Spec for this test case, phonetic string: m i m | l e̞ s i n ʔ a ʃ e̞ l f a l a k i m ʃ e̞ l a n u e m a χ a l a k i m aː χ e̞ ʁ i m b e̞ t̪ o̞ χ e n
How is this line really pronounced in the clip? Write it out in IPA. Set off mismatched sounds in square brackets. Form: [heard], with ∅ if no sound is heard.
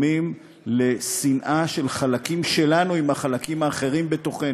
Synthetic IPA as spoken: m i m | l e̞ s i n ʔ a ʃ e̞ l [χ] a l a k i m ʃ e̞ l a n u [i] m a χ a l a k i m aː χ e̞ ʁ i m b e̞ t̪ o̞ χ e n